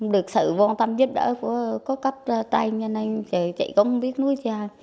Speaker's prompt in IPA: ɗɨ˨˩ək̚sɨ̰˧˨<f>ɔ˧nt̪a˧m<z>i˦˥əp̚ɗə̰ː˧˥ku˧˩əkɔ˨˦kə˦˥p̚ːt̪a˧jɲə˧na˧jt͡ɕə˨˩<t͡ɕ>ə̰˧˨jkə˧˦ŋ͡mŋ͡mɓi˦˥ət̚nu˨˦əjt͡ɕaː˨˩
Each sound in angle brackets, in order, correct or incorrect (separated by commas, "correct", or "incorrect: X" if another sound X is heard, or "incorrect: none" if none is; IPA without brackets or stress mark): incorrect: v, correct, correct